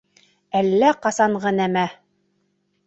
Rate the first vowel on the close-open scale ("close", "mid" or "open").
open